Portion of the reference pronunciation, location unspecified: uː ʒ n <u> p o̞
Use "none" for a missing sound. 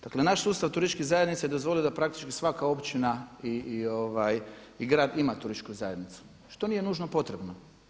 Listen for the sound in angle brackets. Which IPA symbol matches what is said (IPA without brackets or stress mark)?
o